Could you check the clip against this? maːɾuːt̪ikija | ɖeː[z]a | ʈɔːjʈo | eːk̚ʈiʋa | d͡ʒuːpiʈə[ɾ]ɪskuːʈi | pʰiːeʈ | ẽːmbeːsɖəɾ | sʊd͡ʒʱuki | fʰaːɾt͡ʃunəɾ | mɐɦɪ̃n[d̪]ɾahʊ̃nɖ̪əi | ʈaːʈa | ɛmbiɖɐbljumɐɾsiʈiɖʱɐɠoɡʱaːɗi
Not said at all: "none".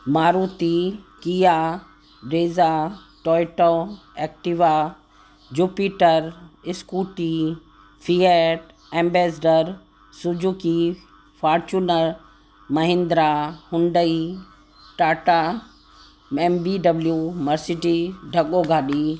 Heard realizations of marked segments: z, ɾ, d̪

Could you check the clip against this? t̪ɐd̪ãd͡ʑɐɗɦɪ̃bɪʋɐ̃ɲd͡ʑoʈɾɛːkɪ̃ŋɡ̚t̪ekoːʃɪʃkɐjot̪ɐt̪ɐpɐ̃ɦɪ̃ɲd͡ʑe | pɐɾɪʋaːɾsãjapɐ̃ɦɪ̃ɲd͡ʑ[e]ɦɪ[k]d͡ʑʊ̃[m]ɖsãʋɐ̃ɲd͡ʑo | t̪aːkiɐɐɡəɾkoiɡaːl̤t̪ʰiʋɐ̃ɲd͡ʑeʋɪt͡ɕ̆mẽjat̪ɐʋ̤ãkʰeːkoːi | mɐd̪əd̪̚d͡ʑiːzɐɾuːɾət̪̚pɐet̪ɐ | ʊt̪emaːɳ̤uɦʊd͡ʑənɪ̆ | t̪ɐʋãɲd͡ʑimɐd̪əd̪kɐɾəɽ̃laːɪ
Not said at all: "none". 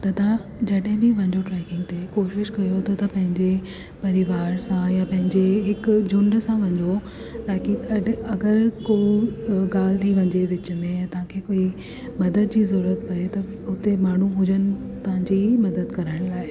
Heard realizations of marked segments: e, k, ɳ

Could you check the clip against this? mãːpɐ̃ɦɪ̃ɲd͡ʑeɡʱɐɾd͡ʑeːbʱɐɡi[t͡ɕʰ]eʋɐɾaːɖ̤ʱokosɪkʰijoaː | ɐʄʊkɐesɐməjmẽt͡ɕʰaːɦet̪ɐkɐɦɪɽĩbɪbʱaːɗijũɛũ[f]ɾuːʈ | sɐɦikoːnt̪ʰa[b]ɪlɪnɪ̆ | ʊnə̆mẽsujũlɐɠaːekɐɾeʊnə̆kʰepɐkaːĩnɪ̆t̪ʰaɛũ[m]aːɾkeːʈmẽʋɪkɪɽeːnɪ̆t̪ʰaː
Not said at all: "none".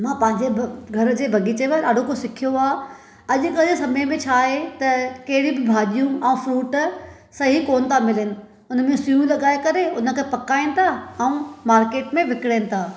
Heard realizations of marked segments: t͡ɕ, f, m, m

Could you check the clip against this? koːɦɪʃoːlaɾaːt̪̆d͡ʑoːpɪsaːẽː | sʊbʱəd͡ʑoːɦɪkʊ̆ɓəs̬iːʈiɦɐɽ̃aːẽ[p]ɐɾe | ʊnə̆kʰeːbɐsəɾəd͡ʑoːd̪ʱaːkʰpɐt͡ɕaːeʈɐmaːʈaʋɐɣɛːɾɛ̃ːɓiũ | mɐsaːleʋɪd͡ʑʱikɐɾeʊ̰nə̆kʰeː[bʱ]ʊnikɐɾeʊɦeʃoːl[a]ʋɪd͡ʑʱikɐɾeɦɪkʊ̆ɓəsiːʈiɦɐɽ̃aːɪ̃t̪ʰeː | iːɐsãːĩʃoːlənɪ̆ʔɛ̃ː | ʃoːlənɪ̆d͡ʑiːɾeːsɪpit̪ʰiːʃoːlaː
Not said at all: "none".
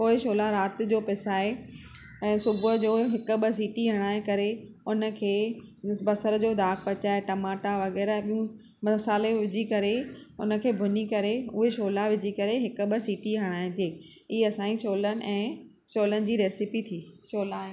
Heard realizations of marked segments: k, bʱ, a

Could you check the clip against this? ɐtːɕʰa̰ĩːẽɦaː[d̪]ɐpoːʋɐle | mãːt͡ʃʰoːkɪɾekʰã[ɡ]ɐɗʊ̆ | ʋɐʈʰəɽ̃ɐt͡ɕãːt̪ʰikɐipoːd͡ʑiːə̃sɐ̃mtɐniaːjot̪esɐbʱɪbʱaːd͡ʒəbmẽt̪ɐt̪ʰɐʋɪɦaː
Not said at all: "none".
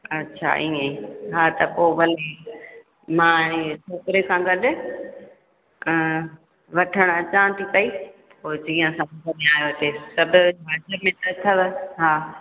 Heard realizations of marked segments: t̪, ɡ

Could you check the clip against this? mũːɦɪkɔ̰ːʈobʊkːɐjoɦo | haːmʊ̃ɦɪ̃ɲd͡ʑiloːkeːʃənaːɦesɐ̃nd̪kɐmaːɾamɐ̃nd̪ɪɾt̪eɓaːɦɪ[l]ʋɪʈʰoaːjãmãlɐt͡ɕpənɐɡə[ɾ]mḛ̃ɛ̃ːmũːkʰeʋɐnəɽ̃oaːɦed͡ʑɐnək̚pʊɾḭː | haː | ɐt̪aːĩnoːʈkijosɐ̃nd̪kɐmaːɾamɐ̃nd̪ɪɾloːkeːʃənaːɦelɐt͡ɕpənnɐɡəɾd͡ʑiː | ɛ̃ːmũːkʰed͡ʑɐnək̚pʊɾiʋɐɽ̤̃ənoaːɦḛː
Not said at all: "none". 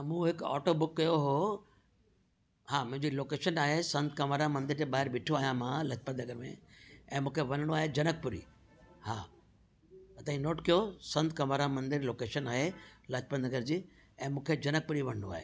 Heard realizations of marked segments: ɾ, ɾ

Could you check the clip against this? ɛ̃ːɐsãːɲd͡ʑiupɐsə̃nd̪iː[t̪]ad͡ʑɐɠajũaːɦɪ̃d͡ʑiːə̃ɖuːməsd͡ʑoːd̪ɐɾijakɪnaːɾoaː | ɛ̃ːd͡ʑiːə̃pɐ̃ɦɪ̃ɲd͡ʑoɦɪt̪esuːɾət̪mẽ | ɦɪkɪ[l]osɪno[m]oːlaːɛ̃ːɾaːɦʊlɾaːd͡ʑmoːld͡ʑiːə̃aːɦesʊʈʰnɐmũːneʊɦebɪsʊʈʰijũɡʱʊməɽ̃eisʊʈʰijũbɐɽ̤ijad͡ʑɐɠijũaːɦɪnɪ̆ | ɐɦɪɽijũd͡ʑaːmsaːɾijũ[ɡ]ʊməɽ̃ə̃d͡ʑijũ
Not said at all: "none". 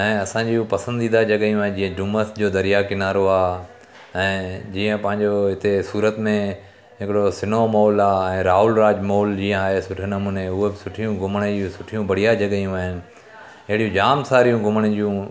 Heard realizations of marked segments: d̪, ɽ, m, ɡ

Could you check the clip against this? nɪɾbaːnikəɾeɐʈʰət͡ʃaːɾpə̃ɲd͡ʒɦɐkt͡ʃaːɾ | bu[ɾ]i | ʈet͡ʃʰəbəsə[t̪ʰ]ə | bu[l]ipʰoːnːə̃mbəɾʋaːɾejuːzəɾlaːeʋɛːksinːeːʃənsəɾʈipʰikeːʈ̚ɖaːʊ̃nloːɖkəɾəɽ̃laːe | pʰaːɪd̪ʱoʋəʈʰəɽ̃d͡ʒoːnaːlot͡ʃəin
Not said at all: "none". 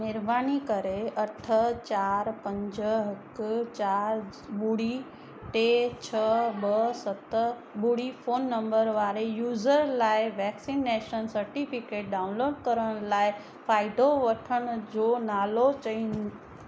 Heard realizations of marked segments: ɽ, t̪, ɽ

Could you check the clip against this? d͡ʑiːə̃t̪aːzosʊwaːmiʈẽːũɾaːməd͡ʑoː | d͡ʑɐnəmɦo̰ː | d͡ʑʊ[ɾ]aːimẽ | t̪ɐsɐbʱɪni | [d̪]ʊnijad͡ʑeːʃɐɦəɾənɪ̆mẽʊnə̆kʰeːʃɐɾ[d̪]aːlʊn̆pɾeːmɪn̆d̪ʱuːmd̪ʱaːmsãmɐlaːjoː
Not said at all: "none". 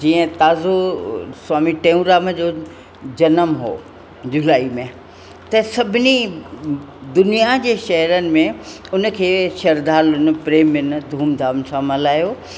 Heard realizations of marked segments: l, d̪, d̪

